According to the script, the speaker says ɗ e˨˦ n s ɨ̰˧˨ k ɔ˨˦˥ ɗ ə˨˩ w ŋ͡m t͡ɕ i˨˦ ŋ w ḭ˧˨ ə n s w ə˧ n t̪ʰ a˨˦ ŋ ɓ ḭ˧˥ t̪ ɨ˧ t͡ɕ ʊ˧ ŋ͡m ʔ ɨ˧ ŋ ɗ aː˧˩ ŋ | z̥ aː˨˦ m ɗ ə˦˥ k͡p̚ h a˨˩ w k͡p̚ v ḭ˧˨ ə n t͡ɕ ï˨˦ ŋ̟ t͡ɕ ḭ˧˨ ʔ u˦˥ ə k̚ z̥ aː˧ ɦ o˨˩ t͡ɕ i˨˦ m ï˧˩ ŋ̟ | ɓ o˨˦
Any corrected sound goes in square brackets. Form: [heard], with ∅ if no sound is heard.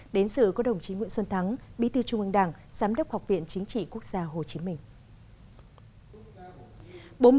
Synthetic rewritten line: ɗ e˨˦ n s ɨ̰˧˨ k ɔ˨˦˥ ɗ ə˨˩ w ŋ͡m t͡ɕ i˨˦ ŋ w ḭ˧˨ ə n s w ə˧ n t̪ʰ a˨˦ ŋ ɓ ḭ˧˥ t̪ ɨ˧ t͡ɕ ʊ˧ ŋ͡m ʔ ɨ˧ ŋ ɗ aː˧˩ ŋ | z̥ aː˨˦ m ɗ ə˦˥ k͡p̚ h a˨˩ w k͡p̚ v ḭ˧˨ ə n t͡ɕ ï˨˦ ŋ̟ t͡ɕ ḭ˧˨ [k] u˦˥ ə k̚ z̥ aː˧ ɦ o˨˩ t͡ɕ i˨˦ m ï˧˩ ŋ̟ | ɓ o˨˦